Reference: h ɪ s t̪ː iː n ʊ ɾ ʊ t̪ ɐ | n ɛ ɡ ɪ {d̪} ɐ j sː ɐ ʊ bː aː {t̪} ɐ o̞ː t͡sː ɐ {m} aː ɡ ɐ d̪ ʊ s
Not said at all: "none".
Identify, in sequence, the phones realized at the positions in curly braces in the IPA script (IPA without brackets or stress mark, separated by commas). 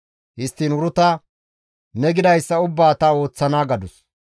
d̪, t̪, n